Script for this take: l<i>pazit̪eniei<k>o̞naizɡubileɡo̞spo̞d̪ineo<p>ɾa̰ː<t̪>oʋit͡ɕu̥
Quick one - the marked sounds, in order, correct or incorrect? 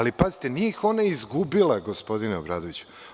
correct, incorrect: x, incorrect: b, incorrect: d̪

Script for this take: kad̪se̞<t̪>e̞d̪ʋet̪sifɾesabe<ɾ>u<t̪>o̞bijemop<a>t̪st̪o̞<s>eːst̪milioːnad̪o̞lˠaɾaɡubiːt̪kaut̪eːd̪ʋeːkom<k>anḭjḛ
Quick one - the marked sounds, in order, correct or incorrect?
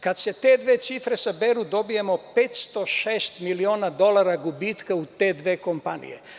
correct, correct, incorrect: d̪, incorrect: e, incorrect: ʃ, incorrect: p

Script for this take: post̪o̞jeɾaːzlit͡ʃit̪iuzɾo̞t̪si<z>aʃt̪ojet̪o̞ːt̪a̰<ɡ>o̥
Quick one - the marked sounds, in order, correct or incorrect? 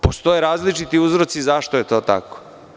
correct, incorrect: k

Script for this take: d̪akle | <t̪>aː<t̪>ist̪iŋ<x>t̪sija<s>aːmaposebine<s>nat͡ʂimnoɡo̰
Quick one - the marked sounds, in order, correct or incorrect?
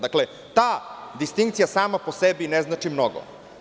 correct, incorrect: d̪, incorrect: k, correct, incorrect: z

